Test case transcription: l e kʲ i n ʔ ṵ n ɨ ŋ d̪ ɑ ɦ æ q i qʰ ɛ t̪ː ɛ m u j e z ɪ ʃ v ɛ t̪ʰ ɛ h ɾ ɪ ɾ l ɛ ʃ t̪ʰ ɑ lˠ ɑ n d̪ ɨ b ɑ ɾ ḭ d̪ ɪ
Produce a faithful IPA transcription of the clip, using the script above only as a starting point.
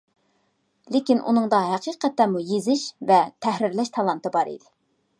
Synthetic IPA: l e kʲ i n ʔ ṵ n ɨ ŋ d̪ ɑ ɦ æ q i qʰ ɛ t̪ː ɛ m u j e z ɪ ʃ v ɛ t̪ʰ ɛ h ɾ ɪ ɾ l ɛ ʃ t̪ʰ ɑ lˠ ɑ n t̪ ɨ b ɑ ɾ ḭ d̪ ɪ